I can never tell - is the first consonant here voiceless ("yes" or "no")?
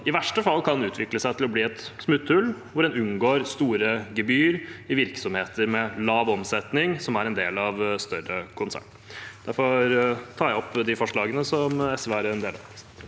no